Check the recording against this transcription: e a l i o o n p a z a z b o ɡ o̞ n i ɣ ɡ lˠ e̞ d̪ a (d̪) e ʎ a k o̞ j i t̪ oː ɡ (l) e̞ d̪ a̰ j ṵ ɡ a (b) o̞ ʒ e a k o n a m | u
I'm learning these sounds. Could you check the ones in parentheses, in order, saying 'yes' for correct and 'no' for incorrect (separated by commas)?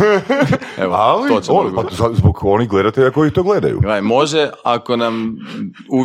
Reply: no, yes, no